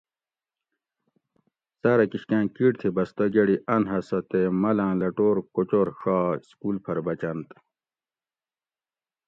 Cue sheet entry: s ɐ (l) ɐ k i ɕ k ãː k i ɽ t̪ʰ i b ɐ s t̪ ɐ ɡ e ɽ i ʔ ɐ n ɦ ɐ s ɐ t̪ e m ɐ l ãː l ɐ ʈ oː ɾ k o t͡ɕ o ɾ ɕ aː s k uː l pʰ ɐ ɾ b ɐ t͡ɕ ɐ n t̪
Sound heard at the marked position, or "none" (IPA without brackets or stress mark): ɾ